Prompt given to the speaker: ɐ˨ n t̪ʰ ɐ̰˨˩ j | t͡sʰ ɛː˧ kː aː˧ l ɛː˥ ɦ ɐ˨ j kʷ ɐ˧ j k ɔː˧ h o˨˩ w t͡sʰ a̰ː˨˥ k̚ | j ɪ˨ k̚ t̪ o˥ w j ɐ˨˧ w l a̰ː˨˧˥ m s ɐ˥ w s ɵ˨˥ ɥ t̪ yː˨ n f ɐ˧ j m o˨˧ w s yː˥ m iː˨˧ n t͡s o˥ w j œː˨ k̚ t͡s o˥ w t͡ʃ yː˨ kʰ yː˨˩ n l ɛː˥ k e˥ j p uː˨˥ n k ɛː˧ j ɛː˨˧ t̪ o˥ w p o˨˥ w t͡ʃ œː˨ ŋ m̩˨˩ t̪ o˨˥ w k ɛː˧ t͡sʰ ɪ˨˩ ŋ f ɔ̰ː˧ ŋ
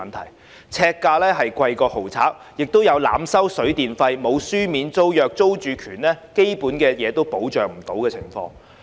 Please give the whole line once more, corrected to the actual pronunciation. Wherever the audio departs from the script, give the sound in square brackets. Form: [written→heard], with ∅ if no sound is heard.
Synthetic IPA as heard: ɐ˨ n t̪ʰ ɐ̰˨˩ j | t͡sʰ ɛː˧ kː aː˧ l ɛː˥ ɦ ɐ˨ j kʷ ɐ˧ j k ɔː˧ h o˨˩ w t͡sʰ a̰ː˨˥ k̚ | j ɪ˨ k̚ t̪ o˥ w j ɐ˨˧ w l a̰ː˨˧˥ m s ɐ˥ w s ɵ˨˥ ɥ t̪ [yː˨→iː˨] n f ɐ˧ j m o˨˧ w s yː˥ m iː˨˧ n t͡s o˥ w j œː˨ k̚ t͡s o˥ w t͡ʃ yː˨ kʰ yː˨˩ n l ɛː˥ k e˥ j p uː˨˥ n k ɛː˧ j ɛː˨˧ t̪ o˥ w p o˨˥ w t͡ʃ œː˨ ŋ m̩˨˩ t̪ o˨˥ w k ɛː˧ t͡sʰ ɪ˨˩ ŋ f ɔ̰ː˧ ŋ